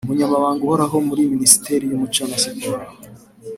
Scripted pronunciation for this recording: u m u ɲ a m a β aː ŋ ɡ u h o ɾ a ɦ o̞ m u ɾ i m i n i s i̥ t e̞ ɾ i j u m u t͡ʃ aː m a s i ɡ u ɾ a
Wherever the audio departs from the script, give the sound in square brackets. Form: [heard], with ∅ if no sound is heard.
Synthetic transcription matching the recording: u m u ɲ a m a β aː ŋ ɡ u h o ɾ a ɦ o̞ m u ɾ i m i n i s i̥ t e̞ ɾ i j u m u t͡ʃ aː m a s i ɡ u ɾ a